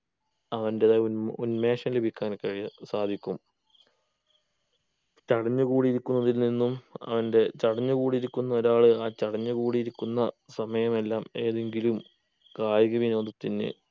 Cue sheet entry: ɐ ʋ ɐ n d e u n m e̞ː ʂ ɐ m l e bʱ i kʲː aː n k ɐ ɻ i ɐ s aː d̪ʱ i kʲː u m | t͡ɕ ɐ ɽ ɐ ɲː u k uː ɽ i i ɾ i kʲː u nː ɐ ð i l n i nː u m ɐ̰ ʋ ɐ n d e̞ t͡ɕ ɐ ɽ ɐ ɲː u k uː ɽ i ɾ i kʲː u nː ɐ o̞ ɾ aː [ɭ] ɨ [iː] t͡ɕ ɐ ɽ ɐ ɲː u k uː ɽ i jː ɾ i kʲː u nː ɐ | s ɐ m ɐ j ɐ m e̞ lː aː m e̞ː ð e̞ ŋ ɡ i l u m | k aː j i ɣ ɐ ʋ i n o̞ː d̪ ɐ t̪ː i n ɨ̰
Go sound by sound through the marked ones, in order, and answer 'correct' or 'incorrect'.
correct, incorrect: aː

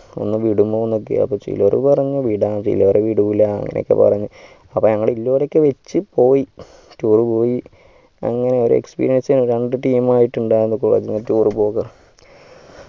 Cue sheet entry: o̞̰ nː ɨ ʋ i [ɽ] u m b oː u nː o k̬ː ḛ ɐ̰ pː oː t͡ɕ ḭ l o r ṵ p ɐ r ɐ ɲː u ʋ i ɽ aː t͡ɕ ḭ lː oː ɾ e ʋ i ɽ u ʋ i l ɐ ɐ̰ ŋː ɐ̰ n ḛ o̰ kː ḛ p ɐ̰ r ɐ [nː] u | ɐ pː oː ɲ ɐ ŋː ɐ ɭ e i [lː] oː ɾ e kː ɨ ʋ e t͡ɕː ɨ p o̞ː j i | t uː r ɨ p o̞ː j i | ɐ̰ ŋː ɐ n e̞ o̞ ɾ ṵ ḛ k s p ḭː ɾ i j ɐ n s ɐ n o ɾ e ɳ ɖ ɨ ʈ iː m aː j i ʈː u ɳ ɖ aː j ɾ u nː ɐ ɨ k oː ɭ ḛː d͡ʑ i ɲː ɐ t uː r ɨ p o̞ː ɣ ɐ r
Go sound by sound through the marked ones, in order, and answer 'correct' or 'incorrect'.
correct, incorrect: ɲː, correct

